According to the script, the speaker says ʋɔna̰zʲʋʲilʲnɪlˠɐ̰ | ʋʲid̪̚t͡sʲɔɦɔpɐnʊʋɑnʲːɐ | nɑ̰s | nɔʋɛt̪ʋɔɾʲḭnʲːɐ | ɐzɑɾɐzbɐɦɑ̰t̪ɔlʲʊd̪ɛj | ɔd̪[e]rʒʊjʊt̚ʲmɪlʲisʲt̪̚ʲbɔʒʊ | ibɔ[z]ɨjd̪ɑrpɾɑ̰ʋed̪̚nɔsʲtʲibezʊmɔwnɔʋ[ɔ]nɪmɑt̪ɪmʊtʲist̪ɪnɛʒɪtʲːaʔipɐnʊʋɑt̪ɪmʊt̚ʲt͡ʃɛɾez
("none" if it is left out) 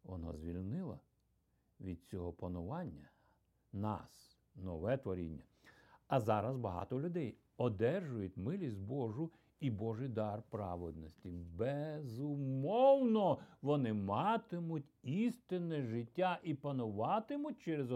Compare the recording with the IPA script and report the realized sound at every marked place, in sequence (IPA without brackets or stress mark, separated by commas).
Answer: ɛ, ʒ, ɔ